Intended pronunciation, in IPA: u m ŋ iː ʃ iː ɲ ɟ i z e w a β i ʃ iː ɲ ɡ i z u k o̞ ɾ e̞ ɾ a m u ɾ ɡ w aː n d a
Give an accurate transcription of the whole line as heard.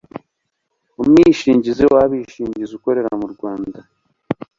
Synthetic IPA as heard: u m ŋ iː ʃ iː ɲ ɟ i z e w a β i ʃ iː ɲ ɟ i z u k o̞ ɾ e̞ ɾ a m u ɾ ɡ w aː n d a